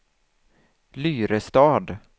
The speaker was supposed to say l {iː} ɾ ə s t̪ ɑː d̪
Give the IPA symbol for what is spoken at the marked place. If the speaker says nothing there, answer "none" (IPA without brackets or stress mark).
yː